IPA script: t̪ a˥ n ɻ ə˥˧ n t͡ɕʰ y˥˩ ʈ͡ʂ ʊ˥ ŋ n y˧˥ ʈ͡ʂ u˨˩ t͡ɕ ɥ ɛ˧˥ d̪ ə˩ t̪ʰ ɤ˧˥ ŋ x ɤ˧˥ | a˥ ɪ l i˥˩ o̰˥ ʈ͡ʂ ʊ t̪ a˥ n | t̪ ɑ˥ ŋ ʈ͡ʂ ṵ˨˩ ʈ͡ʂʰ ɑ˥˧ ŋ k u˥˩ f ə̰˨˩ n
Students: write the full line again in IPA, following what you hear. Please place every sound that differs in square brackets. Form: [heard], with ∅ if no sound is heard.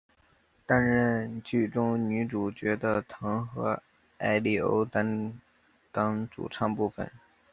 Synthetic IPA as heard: t̪ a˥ n ɻ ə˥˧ n [t͡ɕ] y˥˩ ʈ͡ʂ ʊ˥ ŋ n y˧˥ ʈ͡ʂ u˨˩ t͡ɕ ɥ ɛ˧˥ d̪ [ə˧] t̪ʰ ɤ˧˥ ŋ x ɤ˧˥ | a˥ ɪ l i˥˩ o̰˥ [∅] ʊ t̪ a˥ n | t̪ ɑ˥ ŋ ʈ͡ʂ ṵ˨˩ ʈ͡ʂʰ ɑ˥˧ ŋ [p] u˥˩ f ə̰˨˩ n

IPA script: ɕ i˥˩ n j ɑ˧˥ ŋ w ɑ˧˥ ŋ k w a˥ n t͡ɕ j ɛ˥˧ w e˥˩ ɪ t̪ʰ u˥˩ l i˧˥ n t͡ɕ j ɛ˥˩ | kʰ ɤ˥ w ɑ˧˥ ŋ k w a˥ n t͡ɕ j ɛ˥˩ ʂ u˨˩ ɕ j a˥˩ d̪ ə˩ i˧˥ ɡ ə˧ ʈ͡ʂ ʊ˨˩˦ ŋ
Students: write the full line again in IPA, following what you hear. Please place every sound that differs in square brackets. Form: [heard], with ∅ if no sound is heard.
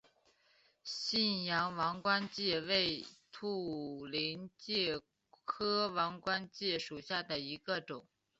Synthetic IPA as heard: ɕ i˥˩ n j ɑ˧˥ ŋ w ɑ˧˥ ŋ k w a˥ n t͡ɕ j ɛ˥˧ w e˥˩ ɪ t̪ʰ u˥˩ l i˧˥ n t͡ɕ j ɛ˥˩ | kʰ ɤ˥ w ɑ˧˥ ŋ k w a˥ n t͡ɕ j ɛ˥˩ ʂ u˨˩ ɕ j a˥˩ d̪ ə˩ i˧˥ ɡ ə˧ ʈ͡ʂ ʊ˨˩˦ ŋ

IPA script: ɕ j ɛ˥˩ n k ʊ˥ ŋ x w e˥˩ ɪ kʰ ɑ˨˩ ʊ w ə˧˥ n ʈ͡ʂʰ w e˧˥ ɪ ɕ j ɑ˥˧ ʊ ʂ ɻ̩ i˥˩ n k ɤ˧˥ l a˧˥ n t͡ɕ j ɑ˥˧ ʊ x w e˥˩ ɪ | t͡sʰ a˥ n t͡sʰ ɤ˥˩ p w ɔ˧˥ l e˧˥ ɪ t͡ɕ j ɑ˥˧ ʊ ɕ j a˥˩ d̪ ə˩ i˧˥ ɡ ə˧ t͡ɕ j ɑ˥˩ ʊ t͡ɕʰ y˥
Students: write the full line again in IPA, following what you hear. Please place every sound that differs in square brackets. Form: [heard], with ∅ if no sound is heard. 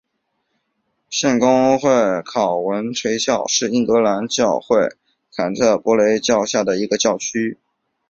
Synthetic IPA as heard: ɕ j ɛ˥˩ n k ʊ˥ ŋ x w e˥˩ ɪ kʰ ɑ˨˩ ʊ w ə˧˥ n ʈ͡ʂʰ w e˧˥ ɪ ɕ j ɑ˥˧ ʊ ʂ ɻ̩ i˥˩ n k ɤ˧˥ l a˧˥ n t͡ɕ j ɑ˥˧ ʊ x w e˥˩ ɪ | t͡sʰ [a˨˩] n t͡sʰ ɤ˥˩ p w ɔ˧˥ l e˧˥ ɪ t͡ɕ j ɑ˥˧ ʊ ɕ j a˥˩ d̪ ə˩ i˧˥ ɡ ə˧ t͡ɕ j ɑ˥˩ ʊ t͡ɕʰ y˥

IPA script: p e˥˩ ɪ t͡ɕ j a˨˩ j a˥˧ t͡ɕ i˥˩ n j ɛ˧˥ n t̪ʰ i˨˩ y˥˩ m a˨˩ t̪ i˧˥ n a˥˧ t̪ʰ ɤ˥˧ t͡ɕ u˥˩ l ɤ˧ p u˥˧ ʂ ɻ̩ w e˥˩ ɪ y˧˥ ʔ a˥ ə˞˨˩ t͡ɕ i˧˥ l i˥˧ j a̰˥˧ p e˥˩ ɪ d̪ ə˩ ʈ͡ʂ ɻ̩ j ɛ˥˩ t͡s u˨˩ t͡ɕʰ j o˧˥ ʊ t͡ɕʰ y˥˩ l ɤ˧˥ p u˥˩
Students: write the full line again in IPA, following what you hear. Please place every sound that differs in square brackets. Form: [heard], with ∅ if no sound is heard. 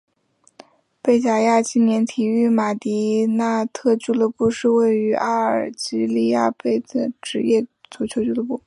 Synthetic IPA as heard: p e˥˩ ɪ t͡ɕ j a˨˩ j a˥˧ t͡ɕ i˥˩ n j ɛ˧˥ n t̪ʰ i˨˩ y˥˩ m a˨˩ t̪ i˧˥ n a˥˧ t̪ʰ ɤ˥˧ t͡ɕ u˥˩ l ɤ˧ p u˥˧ ʂ ɻ̩ w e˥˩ ɪ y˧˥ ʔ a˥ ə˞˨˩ t͡ɕ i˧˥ l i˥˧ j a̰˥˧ p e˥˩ ɪ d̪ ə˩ ʈ͡ʂ ɻ̩ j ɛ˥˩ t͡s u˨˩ t͡ɕʰ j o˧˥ ʊ [t͡ɕ] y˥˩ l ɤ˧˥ p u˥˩

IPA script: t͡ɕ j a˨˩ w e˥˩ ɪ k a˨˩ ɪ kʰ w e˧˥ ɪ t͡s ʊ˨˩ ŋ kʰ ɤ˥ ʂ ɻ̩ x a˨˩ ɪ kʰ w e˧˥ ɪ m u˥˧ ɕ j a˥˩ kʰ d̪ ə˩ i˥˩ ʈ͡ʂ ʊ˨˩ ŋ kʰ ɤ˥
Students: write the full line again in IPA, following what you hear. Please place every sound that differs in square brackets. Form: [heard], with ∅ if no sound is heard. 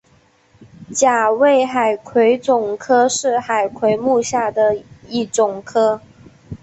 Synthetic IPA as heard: t͡ɕ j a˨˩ w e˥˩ ɪ [x] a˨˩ ɪ kʰ w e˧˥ ɪ t͡s ʊ˨˩ ŋ kʰ ɤ˥ ʂ ɻ̩ x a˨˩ ɪ kʰ w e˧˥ ɪ m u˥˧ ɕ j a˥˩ [∅] d̪ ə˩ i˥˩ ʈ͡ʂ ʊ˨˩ ŋ kʰ ɤ˥

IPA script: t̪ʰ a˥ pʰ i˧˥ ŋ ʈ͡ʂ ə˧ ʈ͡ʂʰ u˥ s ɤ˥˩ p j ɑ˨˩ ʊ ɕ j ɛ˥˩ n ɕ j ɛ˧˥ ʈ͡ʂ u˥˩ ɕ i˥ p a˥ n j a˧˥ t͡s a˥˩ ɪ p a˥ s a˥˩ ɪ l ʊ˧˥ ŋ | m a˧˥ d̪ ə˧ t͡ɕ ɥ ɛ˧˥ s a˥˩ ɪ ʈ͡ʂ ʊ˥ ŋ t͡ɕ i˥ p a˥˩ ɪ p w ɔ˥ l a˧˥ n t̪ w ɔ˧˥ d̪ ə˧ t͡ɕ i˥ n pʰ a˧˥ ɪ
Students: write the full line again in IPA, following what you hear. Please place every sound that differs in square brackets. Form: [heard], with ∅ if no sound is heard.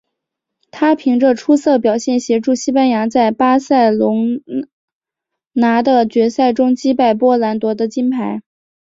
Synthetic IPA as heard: t̪ʰ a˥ pʰ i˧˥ ŋ ʈ͡ʂ ə˧ ʈ͡ʂʰ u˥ s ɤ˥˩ p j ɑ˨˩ ʊ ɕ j ɛ˥˩ n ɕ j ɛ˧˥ ʈ͡ʂ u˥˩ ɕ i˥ p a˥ n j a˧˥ t͡s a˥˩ ɪ p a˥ s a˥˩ ɪ l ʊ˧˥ ŋ | [n] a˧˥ d̪ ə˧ t͡ɕ ɥ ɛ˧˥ s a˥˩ ɪ ʈ͡ʂ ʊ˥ ŋ t͡ɕ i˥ p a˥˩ ɪ p w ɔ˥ l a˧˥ n t̪ w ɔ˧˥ d̪ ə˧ t͡ɕ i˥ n pʰ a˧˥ ɪ

